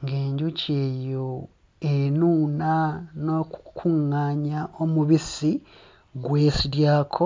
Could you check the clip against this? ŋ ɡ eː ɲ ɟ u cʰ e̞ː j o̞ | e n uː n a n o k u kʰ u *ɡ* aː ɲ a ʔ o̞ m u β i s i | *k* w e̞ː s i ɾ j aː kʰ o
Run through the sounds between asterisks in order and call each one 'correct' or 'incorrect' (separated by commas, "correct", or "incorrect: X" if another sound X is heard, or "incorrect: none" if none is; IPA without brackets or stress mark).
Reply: incorrect: ŋ, incorrect: ɡ